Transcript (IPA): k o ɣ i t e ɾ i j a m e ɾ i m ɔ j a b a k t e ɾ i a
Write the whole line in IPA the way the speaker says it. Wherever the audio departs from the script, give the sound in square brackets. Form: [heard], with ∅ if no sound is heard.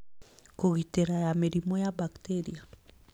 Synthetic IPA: k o ɣ i t e ɾ [a] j a m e ɾ i m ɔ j a b a k t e ɾ i a